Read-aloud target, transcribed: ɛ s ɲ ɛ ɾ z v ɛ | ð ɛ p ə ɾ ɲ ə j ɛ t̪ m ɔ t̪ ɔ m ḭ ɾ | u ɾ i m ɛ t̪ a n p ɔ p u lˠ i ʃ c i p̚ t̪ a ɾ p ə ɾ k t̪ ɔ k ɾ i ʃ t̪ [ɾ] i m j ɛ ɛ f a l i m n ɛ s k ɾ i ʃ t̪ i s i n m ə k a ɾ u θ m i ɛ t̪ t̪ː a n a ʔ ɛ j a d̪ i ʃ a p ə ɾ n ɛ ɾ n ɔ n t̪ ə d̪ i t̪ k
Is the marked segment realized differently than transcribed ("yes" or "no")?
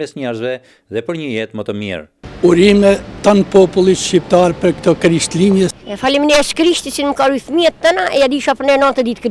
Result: yes